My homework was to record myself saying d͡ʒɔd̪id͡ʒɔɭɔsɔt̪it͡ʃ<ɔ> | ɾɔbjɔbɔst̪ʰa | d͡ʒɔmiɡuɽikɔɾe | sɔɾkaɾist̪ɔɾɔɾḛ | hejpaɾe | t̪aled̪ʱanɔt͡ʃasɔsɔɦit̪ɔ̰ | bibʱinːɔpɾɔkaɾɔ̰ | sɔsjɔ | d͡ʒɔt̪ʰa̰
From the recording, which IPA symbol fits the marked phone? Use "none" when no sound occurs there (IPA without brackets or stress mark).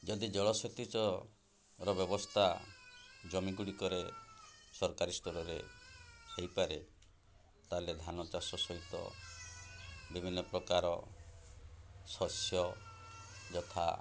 ɔ